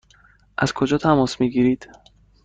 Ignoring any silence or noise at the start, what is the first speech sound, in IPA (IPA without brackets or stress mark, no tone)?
ʔ